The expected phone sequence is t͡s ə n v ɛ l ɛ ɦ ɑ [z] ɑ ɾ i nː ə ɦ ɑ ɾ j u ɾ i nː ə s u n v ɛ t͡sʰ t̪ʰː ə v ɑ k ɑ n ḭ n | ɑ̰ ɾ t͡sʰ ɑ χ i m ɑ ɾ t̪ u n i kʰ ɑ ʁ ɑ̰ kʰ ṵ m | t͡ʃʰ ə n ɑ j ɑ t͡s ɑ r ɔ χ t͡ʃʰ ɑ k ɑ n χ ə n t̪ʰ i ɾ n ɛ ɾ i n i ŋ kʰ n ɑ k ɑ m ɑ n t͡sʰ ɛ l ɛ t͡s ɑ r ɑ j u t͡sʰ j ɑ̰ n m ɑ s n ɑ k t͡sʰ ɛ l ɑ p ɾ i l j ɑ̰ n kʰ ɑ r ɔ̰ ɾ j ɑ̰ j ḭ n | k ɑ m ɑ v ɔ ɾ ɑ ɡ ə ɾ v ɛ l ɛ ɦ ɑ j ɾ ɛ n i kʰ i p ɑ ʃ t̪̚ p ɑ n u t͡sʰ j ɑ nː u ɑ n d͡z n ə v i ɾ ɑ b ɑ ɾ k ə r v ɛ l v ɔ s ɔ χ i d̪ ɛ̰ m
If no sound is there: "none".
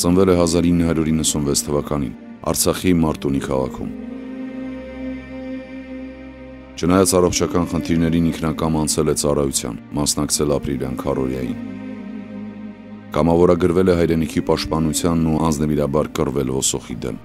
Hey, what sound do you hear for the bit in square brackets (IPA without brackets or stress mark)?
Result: z